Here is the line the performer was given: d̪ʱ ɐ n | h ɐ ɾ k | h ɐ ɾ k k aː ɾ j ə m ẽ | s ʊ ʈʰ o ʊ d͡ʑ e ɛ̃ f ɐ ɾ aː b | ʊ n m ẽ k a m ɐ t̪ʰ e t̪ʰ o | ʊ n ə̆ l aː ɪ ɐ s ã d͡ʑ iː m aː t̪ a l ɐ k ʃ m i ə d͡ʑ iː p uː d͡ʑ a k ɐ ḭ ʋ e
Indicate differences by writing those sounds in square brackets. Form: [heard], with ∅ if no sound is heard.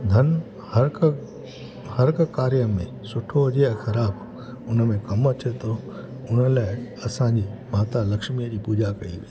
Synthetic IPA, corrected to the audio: d̪ʱ ɐ n | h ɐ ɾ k | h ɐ ɾ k k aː ɾ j ə m ẽ | s ʊ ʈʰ o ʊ d͡ʑ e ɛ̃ [x] ɐ ɾ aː b | ʊ n m ẽ k [ɐ] m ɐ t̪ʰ e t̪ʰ o | ʊ n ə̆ l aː ɪ ɐ s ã d͡ʑ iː m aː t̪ a l ɐ k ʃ m i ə d͡ʑ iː p uː d͡ʑ a k ɐ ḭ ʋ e